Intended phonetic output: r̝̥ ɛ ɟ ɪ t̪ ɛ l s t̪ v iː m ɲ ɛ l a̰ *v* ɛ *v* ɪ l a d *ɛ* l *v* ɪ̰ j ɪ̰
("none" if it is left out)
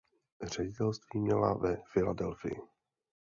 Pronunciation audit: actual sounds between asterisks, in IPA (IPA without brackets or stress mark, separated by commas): v, f, ɛ, f